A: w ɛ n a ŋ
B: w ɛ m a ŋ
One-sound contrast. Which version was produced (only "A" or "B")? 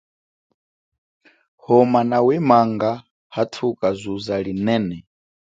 B